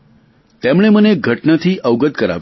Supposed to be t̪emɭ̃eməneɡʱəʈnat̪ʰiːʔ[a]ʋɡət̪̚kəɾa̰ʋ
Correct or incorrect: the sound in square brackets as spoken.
incorrect: ə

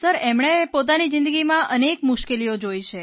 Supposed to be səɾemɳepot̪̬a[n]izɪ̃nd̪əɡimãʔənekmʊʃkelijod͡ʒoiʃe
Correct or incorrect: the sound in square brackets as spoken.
correct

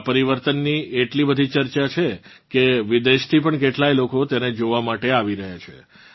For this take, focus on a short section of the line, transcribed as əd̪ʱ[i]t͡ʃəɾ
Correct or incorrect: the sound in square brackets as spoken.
correct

